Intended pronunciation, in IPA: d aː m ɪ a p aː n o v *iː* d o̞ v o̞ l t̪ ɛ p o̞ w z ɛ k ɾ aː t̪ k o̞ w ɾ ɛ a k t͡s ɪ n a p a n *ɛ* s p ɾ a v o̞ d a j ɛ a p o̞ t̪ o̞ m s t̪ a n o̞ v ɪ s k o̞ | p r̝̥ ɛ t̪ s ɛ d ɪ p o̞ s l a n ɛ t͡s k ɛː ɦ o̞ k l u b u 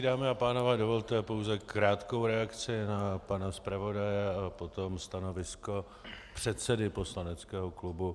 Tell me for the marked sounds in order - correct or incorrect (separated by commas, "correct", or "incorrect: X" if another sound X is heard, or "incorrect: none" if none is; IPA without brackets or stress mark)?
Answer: incorrect: ɛː, incorrect: a